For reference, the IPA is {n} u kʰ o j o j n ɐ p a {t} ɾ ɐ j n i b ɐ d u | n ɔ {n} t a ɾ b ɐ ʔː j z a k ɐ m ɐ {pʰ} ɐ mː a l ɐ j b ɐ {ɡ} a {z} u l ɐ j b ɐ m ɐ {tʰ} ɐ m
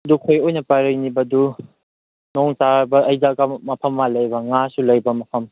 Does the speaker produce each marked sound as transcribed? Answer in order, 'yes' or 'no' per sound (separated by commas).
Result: no, no, no, yes, no, no, no